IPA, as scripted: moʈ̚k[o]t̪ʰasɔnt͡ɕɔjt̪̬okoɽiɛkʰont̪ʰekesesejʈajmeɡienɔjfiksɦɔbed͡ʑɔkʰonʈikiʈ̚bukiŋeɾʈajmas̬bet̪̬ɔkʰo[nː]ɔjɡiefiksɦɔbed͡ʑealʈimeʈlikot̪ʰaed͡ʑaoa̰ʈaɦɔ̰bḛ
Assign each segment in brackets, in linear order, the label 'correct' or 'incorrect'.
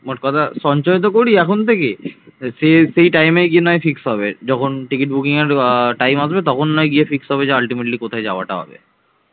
incorrect: ɔ, correct

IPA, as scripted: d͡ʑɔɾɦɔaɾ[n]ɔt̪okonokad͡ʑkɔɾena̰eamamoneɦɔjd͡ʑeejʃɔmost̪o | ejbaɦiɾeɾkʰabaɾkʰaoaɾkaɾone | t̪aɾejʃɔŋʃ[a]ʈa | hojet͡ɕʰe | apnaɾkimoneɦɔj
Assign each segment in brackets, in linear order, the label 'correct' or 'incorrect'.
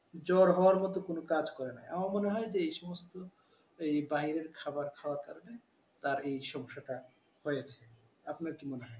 incorrect: m, correct

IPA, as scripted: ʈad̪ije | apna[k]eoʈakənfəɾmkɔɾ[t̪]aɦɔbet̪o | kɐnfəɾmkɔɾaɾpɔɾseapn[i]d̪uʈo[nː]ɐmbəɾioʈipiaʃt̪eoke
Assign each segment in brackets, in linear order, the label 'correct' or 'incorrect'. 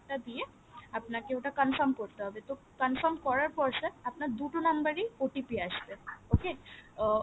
correct, correct, incorrect: a, incorrect: n

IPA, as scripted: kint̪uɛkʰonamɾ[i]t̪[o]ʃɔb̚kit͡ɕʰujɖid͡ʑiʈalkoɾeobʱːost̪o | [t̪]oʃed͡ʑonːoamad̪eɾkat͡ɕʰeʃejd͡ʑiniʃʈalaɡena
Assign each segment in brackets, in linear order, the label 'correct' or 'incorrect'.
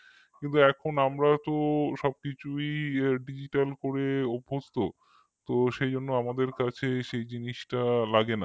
incorrect: a, correct, correct

